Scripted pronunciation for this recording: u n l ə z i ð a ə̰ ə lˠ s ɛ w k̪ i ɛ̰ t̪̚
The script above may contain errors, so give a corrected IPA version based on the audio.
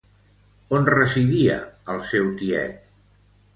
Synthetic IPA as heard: o n r ə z i ð i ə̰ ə lˠ s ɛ w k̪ i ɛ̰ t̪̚